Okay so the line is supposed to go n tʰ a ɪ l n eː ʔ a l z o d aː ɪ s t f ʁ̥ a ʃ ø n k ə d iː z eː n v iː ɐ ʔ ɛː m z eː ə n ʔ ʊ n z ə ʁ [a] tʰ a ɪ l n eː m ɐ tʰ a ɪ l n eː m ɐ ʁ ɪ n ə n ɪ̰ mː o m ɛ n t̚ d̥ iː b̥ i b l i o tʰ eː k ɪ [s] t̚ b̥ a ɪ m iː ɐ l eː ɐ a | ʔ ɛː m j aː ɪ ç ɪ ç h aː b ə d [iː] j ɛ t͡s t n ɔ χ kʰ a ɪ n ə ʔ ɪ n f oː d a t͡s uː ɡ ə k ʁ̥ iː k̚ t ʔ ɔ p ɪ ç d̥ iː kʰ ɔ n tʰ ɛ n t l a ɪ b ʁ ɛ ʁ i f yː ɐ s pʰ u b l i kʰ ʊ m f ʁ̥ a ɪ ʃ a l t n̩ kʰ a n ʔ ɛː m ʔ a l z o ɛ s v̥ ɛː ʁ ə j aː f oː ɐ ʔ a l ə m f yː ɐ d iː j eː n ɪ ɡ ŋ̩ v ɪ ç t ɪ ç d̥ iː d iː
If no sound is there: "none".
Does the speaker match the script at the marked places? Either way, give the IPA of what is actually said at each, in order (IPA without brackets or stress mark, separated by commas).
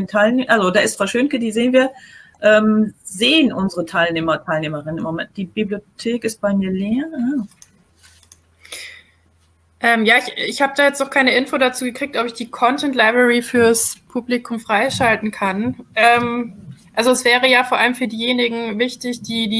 ə, s, aː